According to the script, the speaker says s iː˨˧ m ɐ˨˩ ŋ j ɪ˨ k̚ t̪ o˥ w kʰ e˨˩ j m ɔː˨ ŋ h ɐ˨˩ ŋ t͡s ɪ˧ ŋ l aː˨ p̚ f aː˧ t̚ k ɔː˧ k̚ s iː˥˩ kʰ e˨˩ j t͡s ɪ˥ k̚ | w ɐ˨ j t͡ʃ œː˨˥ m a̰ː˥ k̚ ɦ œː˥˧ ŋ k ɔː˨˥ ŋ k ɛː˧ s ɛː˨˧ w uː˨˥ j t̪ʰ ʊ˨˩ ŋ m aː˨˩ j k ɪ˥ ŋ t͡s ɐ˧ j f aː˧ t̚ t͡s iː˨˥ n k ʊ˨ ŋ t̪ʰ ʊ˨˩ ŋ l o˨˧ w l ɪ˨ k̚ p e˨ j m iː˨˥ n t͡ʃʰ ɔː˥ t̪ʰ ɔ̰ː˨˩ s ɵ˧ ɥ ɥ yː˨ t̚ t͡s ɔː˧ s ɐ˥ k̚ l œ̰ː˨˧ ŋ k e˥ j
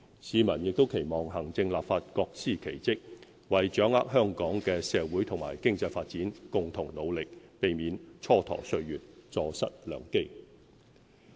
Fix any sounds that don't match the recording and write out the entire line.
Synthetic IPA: s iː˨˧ m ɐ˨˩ n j ɪ˨ k̚ t̪ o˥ w kʰ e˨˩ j m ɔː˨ ŋ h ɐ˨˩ ŋ t͡s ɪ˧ ŋ l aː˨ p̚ f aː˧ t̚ k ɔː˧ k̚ s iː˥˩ kʰ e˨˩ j t͡s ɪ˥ k̚ | w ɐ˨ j t͡ʃ œː˨˥ ŋ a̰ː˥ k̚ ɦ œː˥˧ ŋ k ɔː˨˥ ŋ k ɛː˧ s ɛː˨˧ w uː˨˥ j t̪ʰ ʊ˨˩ ŋ m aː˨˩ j k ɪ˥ ŋ t͡s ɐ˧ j f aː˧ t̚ t͡s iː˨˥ n k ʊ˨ ŋ t̪ʰ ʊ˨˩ ŋ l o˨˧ w l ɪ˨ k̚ p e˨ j m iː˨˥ n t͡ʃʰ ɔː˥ t̪ʰ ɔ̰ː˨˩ s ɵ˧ ɥ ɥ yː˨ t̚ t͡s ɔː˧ s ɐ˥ t̚ l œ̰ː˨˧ ŋ k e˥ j